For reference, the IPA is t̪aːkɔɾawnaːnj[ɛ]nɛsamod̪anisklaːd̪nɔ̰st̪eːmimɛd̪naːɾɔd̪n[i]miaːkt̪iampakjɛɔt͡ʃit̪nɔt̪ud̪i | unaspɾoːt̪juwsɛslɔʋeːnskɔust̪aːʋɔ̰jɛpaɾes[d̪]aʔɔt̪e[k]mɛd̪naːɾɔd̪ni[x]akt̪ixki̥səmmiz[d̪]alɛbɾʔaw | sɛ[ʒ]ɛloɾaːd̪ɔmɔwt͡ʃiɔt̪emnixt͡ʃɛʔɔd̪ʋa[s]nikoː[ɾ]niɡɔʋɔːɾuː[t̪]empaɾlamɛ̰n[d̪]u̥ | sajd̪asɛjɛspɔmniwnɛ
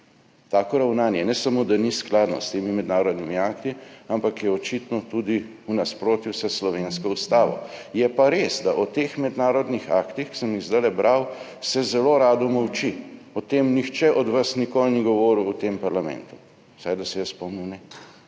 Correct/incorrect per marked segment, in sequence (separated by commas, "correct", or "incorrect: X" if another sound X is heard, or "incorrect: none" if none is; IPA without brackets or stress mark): correct, correct, correct, incorrect: x, correct, correct, incorrect: z, correct, incorrect: l, correct, incorrect: t̪